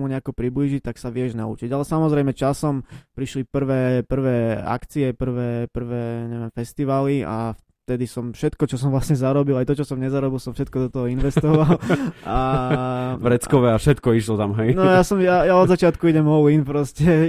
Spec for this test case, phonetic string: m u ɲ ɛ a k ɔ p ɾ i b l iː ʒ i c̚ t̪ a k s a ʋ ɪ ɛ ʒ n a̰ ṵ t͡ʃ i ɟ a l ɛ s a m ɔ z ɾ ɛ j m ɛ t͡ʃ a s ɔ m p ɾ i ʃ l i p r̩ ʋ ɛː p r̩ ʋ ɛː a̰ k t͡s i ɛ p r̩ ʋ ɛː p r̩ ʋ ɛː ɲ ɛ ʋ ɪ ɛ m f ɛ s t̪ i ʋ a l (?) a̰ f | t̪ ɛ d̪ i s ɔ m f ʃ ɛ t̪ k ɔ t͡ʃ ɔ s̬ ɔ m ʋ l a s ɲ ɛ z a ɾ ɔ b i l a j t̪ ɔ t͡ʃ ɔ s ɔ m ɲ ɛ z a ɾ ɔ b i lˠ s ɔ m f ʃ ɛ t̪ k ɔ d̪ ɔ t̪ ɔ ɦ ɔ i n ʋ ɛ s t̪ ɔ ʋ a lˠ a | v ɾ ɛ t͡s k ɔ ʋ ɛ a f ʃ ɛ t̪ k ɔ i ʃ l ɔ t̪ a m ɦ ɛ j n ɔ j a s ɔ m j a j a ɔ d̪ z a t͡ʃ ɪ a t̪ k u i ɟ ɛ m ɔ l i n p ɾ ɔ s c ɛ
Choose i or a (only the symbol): i